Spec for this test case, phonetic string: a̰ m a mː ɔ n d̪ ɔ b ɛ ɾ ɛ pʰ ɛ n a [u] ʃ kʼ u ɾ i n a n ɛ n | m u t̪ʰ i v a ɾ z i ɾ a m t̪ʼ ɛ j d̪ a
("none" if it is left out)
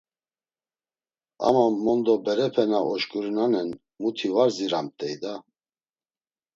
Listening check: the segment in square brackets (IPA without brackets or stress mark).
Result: ɔ